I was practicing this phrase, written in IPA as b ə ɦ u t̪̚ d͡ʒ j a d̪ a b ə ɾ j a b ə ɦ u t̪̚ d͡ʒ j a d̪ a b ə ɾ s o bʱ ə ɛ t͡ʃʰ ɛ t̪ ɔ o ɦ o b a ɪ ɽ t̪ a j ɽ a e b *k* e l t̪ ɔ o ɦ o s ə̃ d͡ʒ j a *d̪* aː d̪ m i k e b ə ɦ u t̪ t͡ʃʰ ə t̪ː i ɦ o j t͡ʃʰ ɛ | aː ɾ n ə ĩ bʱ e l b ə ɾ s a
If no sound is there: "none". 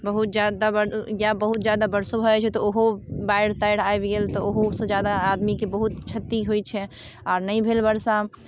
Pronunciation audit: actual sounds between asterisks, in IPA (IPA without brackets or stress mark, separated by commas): ɡ, d̪